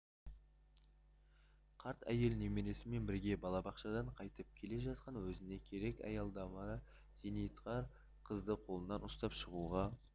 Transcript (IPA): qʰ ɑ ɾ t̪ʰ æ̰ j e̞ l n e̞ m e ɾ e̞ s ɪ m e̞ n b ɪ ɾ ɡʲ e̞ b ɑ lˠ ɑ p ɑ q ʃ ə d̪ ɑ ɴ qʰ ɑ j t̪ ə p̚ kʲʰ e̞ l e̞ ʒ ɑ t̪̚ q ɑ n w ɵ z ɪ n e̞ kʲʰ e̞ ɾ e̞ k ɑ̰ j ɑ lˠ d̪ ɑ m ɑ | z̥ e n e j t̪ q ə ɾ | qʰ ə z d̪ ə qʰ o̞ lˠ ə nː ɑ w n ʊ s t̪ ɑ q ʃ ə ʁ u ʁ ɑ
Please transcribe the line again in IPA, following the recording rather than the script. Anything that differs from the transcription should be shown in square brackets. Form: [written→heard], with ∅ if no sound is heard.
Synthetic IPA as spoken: qʰ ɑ ɾ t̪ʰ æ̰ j e̞ l n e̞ m e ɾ e̞ s ɪ m e̞ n b ɪ ɾ ɡʲ e̞ b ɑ lˠ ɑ [p→b] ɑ q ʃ [ə→ɑ] d̪ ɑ ɴ qʰ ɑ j t̪ ə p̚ kʲʰ e̞ l e̞ ʒ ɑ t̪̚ q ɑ n w ɵ z ɪ n e̞ kʲʰ e̞ ɾ e̞ k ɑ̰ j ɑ lˠ d̪ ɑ m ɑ | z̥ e n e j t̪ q [ə→ɑ] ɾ | qʰ ə z d̪ ə qʰ o̞ lˠ ə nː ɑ [w→∅] n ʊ s t̪ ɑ [q→p] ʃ ə ʁ u ʁ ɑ